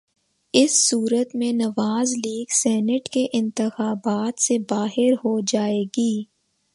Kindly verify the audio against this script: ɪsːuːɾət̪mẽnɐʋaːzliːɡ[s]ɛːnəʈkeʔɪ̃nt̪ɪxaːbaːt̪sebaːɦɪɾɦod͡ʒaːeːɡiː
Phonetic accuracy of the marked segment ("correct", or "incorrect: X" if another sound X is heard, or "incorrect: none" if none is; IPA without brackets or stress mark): correct